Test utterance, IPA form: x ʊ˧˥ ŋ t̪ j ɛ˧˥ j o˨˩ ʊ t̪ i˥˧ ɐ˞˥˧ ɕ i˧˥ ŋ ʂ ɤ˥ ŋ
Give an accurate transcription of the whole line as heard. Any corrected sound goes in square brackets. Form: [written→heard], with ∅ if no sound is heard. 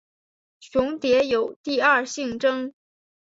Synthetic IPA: [x→ɕ] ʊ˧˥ ŋ t̪ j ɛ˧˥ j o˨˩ ʊ t̪ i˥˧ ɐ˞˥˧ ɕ [i˧˥→i˥˩] ŋ [ʂ→ʈ͡ʂ] ɤ˥ ŋ